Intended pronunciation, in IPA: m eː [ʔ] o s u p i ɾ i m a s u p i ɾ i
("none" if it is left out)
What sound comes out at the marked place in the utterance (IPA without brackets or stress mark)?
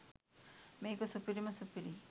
k